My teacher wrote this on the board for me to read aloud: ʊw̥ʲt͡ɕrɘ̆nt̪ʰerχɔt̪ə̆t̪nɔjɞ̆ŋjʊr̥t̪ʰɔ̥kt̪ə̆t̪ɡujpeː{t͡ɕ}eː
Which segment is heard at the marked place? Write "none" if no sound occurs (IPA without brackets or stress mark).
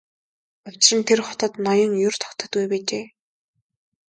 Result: t͡ɕ